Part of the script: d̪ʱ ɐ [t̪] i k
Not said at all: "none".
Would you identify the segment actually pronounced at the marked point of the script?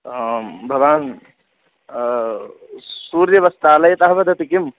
t̪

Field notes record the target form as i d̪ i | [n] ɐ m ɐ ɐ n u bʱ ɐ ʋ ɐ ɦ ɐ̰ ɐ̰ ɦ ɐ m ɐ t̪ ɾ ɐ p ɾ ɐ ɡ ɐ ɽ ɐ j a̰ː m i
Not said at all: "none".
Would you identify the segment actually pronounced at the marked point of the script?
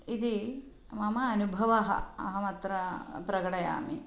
m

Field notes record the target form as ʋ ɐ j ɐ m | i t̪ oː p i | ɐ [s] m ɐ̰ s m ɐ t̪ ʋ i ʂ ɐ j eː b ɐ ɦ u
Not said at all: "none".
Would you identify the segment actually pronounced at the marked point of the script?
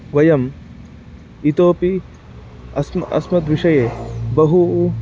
s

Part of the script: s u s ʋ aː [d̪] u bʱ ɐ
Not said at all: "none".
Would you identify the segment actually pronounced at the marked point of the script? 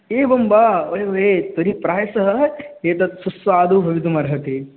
d̪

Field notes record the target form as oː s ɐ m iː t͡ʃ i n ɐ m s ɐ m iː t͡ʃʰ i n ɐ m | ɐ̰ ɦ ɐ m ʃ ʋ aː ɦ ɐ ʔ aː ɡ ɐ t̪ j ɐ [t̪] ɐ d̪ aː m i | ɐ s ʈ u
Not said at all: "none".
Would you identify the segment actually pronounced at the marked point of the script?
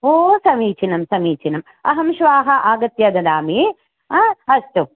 d̪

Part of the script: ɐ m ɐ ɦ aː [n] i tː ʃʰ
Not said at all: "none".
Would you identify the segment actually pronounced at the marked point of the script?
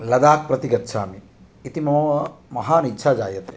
n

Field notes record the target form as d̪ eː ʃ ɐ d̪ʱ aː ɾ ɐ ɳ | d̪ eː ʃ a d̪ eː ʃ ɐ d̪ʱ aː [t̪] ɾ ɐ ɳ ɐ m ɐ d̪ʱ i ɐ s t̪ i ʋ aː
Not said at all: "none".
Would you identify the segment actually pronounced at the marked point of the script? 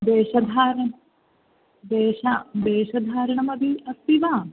none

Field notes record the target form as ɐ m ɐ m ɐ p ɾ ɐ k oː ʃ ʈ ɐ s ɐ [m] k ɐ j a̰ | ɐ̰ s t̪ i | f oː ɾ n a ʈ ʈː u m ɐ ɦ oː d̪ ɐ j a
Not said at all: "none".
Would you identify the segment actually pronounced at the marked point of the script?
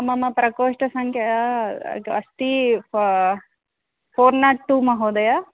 ŋ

